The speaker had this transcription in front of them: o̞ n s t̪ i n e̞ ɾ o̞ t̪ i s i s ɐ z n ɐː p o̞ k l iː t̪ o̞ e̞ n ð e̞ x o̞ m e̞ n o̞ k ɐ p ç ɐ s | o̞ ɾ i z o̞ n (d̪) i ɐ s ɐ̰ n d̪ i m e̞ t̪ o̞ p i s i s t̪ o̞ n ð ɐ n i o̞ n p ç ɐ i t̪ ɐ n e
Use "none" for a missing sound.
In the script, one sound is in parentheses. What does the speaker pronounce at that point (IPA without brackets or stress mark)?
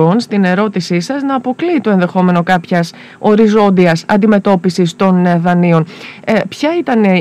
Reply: d̪